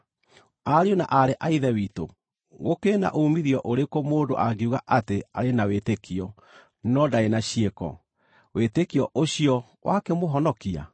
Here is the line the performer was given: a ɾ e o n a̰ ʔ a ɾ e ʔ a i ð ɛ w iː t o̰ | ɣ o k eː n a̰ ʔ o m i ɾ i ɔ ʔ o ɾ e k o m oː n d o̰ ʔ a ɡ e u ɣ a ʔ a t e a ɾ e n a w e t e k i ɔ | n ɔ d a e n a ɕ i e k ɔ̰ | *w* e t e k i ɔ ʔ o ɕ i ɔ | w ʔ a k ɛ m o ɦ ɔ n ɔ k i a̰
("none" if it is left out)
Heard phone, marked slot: w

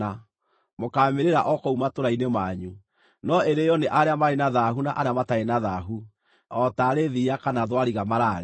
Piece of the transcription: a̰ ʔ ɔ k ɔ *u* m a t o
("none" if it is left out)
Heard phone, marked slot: u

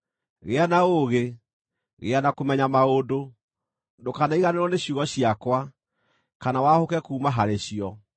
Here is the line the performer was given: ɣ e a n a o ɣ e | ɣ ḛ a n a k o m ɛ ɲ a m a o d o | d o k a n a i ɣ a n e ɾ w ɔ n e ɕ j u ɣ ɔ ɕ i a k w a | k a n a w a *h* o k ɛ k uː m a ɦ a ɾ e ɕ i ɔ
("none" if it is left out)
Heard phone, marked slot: h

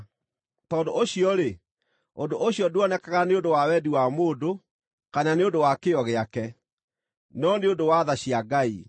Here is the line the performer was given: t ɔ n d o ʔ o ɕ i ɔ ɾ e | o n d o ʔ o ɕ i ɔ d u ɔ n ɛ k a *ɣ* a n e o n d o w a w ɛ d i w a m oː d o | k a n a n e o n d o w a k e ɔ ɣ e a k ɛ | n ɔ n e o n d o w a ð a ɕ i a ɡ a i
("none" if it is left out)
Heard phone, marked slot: ɣ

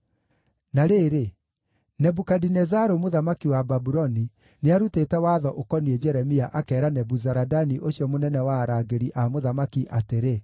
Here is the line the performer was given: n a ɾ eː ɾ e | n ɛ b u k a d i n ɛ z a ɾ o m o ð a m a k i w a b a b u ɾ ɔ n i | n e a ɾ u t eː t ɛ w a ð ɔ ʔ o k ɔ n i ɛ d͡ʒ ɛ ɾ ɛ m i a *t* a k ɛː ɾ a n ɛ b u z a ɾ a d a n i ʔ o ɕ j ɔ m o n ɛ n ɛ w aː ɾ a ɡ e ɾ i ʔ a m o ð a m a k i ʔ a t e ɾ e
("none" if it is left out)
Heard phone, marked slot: ʔ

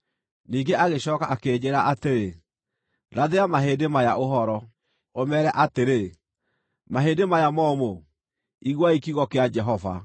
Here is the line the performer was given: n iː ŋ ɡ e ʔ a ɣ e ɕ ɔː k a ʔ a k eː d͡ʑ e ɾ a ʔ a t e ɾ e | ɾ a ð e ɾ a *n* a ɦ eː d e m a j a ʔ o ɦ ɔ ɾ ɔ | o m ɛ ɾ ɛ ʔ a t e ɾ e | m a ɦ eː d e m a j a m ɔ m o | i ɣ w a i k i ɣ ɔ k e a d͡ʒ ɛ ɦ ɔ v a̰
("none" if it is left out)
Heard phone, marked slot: m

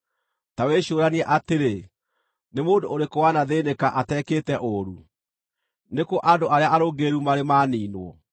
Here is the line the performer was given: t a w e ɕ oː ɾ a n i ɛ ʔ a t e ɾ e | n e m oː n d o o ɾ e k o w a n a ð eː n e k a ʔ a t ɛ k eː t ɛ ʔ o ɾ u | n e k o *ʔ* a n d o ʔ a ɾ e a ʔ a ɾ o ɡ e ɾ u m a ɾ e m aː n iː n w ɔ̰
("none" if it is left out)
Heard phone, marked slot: ʔ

